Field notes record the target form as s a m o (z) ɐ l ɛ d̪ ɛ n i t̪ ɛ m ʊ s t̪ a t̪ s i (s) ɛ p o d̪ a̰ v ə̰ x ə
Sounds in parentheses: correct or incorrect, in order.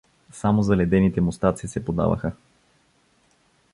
correct, correct

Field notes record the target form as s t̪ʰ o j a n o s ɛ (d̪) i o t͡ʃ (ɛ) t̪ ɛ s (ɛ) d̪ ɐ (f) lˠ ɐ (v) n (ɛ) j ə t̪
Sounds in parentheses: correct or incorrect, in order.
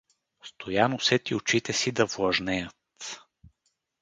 incorrect: t̪, incorrect: i, incorrect: i, incorrect: v, incorrect: ʒ, correct

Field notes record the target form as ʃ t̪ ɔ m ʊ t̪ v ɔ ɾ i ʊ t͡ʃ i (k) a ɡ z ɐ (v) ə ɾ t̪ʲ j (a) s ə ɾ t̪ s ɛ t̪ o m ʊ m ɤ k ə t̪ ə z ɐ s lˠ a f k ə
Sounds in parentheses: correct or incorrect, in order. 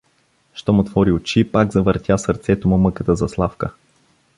incorrect: p, correct, correct

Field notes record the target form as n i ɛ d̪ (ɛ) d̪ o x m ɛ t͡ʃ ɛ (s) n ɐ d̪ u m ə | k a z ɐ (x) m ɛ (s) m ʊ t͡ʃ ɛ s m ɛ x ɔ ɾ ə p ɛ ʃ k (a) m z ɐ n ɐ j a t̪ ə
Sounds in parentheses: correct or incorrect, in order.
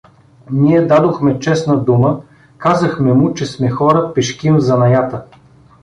incorrect: a, correct, correct, incorrect: none, incorrect: i

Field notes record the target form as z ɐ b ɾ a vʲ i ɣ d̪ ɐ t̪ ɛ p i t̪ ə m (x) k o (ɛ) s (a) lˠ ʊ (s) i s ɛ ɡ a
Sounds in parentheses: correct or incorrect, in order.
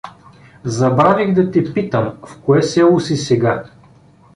incorrect: f, correct, incorrect: ɛ, correct

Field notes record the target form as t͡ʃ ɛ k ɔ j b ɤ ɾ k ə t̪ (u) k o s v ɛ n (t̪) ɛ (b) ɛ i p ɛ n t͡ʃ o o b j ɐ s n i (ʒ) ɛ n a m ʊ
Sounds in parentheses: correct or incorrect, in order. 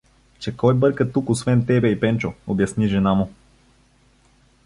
correct, correct, correct, correct

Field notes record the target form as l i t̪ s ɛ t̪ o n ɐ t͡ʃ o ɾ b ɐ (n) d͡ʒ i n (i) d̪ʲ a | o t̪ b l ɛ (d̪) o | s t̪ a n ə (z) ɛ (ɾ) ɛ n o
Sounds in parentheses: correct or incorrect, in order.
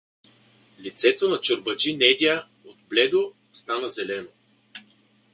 incorrect: none, incorrect: ɛ, correct, correct, incorrect: l

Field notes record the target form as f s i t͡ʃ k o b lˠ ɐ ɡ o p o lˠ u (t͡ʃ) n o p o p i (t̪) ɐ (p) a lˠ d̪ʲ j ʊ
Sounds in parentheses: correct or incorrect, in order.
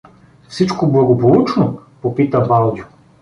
correct, correct, incorrect: b

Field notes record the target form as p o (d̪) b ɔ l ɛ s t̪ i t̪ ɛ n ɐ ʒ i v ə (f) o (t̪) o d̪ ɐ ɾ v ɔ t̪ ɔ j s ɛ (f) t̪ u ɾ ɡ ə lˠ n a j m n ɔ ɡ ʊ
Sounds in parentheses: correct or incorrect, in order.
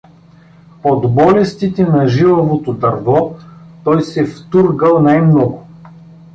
correct, incorrect: v, correct, correct

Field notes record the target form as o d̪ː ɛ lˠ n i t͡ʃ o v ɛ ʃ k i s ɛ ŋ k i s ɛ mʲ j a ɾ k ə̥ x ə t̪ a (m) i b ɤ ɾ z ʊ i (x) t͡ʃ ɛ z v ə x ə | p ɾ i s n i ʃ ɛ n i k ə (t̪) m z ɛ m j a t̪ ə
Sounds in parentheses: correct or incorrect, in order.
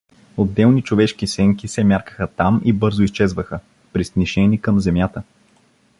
correct, incorrect: s, incorrect: none

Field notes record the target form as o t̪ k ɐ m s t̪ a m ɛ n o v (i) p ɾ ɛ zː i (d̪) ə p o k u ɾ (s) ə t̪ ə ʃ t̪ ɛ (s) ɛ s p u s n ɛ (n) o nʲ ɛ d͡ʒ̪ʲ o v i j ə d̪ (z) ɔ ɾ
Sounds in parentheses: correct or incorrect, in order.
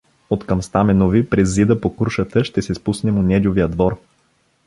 correct, correct, incorrect: ʃ, correct, incorrect: m, incorrect: v

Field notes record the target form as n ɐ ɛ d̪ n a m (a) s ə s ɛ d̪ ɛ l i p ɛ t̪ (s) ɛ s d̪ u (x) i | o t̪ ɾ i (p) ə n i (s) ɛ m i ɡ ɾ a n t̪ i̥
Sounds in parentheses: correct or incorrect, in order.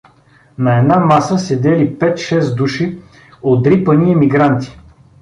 correct, incorrect: ʃ, incorrect: ʃ, correct, incorrect: none

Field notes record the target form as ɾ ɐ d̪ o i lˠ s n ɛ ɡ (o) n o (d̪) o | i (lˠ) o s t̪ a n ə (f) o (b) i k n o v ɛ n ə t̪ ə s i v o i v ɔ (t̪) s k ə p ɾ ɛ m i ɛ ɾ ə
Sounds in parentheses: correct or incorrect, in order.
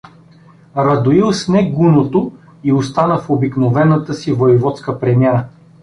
incorrect: u, incorrect: t̪, incorrect: none, correct, correct, correct

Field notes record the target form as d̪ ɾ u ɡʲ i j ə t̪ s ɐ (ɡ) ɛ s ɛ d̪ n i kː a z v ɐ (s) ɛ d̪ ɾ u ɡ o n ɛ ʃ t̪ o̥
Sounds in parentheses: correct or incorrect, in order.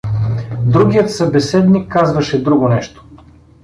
incorrect: b, incorrect: ʃ

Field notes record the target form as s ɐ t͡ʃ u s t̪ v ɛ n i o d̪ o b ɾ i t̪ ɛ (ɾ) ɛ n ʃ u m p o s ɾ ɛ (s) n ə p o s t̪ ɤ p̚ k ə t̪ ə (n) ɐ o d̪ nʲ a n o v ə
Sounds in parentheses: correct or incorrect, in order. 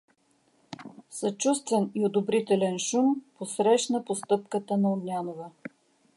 incorrect: l, incorrect: ʃ, correct

